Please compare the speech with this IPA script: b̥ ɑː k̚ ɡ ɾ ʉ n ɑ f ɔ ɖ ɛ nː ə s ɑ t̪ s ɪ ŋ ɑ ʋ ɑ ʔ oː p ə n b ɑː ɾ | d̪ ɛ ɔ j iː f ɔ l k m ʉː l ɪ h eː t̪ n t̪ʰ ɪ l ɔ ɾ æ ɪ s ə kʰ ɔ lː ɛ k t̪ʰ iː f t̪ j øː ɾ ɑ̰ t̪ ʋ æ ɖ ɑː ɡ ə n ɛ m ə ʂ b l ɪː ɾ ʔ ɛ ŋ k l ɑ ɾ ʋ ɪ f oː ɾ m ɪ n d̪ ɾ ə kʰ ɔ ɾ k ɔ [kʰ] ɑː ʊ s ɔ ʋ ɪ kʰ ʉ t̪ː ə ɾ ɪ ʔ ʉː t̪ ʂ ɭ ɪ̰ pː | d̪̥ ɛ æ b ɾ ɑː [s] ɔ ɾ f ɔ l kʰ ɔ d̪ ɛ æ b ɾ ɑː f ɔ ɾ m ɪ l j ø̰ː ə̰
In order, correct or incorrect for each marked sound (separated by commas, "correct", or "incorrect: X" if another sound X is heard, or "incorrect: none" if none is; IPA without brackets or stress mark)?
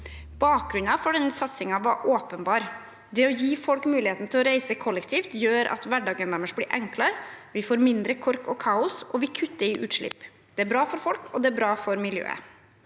correct, incorrect: f